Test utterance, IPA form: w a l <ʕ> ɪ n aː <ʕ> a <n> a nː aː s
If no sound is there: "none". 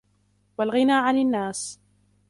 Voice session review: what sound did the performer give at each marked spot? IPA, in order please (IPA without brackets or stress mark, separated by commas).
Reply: ɣ, ʕ, n